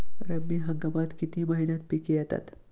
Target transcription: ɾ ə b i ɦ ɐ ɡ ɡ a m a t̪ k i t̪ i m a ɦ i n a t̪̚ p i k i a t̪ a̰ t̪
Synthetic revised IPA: ɾ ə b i ɦ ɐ ŋ ɡ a m a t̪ k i t̪ i m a ɦ i n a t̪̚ p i k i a t̪ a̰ t̪